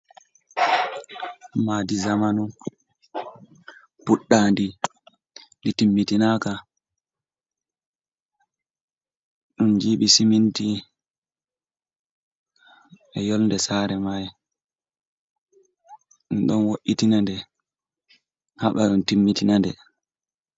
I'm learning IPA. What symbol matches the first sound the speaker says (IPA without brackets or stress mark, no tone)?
m